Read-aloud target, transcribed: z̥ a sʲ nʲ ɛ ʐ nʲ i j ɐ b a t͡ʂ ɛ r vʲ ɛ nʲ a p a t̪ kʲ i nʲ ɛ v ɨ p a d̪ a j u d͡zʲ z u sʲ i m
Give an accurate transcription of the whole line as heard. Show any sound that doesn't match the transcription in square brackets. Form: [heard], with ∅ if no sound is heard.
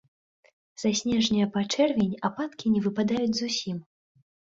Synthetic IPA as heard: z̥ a sʲ nʲ ɛ ʐ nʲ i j ɐ [p] a t͡ʂ ɛ r vʲ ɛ nʲ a p a t̪ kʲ i nʲ ɛ v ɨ p a d̪ a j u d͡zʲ z u sʲ i m